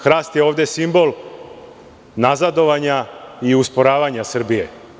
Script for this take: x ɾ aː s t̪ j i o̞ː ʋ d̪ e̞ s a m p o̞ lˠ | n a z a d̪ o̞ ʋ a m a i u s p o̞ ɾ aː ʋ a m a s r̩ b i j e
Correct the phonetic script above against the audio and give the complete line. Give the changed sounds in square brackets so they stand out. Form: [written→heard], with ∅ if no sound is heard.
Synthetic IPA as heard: x ɾ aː s t̪ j [i→e] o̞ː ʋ d̪ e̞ s [a→i] m [p→b] o̞ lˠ | n a z a d̪ o̞ ʋ a [m→ɲ] a i u s p o̞ ɾ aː ʋ a [m→ɲ] a s r̩ b i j e